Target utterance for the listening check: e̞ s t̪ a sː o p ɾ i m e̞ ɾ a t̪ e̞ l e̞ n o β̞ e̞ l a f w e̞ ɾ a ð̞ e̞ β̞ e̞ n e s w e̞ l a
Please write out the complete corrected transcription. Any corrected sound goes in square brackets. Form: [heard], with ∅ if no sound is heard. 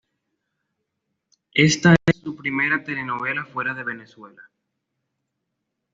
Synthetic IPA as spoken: e̞ s t̪ a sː [u] p ɾ i m e̞ ɾ a t̪ e̞ l e̞ n o β̞ e̞ l a f w e̞ ɾ a ð̞ e̞ β̞ e̞ n e s w e̞ l a